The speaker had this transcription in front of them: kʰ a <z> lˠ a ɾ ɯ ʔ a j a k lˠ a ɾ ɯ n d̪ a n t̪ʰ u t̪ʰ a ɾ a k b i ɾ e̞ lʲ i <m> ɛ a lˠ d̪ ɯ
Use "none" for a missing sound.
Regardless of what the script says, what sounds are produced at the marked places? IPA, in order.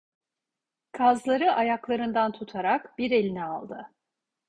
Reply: z, n

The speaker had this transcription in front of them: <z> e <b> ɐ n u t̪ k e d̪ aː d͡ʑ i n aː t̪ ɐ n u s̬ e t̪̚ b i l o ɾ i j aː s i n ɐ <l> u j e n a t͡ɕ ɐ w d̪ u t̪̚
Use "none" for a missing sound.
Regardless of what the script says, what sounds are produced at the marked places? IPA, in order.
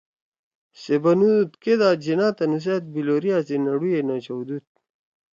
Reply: s, b, ɽ

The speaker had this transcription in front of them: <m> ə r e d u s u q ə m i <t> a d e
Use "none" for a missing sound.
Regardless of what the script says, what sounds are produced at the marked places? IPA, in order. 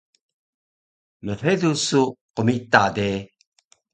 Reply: m, t

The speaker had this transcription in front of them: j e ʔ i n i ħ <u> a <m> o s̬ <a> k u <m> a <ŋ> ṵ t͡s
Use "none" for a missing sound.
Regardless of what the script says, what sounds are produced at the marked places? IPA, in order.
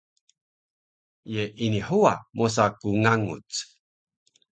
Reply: u, m, a, ŋ, ŋ

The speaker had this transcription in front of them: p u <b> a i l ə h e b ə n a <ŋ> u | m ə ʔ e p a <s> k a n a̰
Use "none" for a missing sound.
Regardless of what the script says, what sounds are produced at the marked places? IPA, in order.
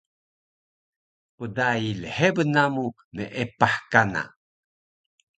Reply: d, m, ħ

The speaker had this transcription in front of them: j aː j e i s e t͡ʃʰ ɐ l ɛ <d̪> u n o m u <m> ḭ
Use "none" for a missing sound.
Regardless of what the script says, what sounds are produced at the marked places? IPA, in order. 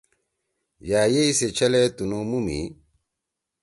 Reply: t̪, m

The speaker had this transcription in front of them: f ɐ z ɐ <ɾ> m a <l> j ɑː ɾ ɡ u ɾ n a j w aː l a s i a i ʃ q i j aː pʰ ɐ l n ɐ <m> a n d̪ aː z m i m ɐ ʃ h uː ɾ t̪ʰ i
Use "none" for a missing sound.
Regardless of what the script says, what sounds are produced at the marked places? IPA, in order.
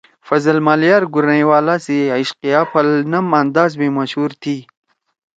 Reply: l, l, m

